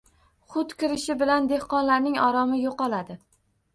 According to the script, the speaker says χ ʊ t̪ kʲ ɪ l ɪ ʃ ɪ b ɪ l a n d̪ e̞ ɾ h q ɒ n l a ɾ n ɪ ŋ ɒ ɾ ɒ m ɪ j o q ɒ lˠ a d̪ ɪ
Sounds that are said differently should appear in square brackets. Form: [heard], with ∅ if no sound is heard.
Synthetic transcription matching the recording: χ ʊ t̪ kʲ ɪ [ɾ] ɪ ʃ ɪ b ɪ l a n d̪ e̞ [∅] h q ɒ n l a ɾ n ɪ ŋ ɒ ɾ ɒ m ɪ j o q ɒ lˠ a d̪ ɪ